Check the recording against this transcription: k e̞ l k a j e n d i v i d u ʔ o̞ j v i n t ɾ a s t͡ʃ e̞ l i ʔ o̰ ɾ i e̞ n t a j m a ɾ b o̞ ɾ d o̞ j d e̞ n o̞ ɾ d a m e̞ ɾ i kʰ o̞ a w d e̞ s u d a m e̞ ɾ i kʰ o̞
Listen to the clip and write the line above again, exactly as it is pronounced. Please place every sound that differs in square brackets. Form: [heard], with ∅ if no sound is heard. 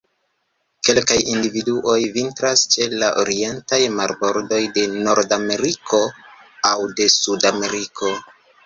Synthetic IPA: k e̞ l k a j [i] n d i v i d u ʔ o̞ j v i n t ɾ a s t͡ʃ e̞ l [a] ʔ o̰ ɾ i e̞ n t a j m a ɾ b o̞ ɾ d o̞ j d e̞ n o̞ ɾ d a m e̞ ɾ i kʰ o̞ a w d e̞ s u d a m e̞ ɾ i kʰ o̞